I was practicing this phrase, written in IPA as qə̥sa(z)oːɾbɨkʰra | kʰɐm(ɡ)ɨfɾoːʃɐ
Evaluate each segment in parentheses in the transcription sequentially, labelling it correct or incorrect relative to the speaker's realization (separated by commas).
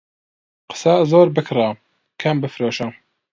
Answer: correct, incorrect